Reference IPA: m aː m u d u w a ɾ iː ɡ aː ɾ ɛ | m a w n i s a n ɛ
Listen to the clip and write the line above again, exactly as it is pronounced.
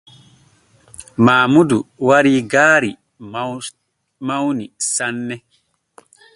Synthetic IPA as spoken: m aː m u d u w a ɾ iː ɡ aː ɾ i | m a w n i s a nː ɛ